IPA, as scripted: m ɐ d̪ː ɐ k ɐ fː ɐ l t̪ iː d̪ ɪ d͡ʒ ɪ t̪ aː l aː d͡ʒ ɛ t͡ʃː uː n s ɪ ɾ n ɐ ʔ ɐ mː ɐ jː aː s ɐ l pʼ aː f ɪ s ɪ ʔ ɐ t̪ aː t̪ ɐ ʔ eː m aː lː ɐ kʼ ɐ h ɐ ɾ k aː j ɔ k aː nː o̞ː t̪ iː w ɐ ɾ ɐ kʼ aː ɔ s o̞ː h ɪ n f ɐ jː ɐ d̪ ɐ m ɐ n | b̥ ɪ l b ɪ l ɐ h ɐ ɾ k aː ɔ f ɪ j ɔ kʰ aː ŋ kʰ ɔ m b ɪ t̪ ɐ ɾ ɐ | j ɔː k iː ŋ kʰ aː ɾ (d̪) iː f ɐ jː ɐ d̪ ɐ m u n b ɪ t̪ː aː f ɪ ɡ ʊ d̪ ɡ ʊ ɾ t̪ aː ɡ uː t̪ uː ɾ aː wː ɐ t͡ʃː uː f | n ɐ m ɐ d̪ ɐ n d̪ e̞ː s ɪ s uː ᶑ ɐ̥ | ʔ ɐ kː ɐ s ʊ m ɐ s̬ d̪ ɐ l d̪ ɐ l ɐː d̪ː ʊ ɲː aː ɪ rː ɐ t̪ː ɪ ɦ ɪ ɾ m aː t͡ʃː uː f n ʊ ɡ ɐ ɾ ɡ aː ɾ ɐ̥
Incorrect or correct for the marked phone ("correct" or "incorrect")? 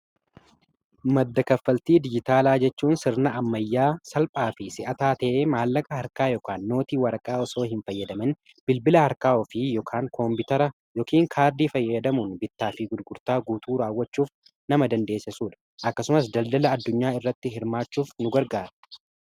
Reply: correct